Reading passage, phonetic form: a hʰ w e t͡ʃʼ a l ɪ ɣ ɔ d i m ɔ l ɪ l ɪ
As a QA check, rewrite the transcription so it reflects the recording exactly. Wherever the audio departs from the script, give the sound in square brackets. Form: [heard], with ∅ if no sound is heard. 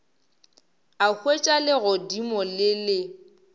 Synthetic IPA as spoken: a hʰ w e t͡ʃʼ a l ɪ ɣ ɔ d i m ɔ l ɪ l ɪ